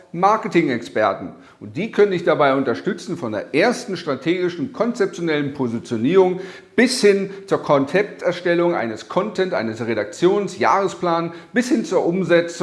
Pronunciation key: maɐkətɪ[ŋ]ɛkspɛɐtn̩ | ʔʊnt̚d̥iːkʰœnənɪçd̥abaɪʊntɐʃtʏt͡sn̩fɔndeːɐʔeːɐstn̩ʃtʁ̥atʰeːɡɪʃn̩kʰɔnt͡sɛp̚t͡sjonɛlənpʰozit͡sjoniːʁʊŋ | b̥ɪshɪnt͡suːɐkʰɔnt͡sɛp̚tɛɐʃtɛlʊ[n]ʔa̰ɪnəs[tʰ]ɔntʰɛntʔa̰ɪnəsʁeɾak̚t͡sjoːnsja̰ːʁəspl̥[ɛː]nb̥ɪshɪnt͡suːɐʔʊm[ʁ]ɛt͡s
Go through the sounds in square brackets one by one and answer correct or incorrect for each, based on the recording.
correct, incorrect, incorrect, incorrect, incorrect

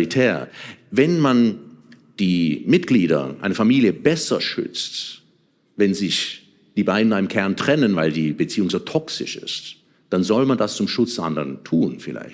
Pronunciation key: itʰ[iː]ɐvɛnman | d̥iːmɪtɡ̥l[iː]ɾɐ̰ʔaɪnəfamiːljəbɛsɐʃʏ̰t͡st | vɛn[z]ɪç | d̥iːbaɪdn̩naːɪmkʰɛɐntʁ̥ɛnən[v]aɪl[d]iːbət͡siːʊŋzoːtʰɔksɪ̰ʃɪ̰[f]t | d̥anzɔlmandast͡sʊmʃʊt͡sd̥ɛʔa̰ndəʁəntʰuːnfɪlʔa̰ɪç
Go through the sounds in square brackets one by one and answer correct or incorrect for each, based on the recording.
incorrect, correct, correct, correct, correct, incorrect

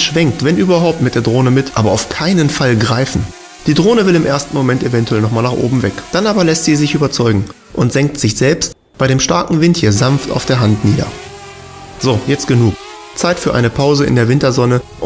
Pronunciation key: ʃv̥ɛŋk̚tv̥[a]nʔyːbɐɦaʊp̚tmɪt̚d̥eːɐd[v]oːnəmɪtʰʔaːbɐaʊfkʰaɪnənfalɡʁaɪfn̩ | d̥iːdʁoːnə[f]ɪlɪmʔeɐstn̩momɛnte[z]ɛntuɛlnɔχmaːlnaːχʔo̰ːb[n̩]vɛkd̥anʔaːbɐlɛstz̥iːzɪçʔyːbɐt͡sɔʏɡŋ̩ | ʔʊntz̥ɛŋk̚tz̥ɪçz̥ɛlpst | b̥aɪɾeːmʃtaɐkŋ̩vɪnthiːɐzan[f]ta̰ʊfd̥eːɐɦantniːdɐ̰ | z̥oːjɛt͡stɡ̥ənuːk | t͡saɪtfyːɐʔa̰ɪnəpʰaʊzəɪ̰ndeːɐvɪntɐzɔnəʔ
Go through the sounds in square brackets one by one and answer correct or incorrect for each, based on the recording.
incorrect, incorrect, incorrect, incorrect, incorrect, correct

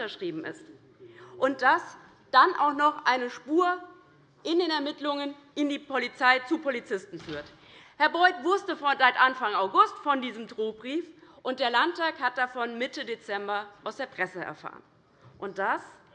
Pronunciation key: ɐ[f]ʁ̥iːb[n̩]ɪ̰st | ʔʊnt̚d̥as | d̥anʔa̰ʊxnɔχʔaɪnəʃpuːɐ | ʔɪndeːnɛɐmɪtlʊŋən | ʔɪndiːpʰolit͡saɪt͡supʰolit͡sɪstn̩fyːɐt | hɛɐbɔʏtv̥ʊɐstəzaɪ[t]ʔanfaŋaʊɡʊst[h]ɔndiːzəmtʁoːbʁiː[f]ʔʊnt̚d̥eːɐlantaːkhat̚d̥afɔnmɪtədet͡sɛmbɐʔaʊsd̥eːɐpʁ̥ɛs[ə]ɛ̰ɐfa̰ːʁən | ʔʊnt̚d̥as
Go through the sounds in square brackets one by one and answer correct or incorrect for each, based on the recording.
incorrect, incorrect, correct, incorrect, correct, correct

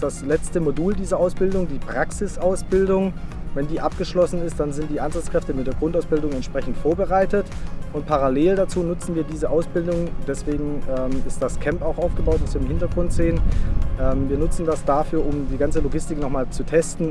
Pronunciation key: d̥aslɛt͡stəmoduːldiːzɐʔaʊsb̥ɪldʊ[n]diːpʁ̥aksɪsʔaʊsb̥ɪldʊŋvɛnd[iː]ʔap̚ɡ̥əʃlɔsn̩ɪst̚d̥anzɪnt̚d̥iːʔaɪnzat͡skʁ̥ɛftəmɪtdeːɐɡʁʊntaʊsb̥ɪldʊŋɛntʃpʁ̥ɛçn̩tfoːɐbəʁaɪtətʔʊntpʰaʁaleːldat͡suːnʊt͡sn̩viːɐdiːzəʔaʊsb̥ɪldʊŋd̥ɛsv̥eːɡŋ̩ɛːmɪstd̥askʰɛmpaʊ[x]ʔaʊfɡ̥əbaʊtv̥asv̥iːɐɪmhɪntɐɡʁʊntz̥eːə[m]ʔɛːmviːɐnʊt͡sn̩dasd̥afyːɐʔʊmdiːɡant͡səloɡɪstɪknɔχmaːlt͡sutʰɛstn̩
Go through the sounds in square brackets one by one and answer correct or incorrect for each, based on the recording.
incorrect, correct, correct, incorrect

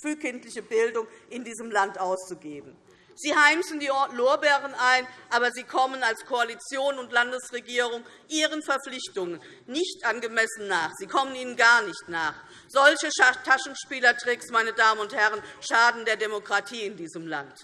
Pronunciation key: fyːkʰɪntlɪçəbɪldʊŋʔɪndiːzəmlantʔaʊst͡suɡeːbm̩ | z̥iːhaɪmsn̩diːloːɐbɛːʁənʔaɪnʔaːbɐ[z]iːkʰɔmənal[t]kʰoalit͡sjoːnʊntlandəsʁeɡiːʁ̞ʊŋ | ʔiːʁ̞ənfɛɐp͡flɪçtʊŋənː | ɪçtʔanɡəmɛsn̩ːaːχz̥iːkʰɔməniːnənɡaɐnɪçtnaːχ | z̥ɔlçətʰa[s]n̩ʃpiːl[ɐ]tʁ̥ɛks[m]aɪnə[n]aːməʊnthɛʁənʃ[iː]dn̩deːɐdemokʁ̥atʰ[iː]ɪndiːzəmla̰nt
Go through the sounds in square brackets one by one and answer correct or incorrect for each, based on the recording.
correct, incorrect, incorrect, correct, correct, incorrect, incorrect, correct

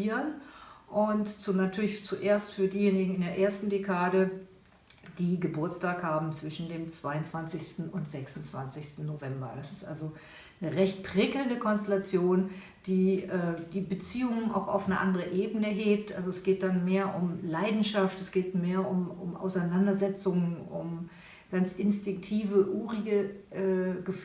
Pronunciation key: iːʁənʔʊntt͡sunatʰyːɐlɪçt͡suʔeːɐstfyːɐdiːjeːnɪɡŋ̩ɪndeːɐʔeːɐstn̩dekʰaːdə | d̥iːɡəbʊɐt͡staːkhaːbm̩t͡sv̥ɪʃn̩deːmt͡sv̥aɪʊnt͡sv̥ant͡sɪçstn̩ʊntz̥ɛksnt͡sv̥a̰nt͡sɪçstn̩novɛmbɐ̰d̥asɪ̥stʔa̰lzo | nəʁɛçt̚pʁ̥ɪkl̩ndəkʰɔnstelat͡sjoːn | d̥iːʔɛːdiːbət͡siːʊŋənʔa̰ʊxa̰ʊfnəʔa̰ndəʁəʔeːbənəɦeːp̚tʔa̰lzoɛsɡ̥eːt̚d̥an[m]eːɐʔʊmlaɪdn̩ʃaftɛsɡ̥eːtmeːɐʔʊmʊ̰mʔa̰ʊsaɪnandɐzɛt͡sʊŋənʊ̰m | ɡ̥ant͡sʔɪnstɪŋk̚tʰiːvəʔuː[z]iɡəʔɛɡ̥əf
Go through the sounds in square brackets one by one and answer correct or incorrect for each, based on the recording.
correct, incorrect

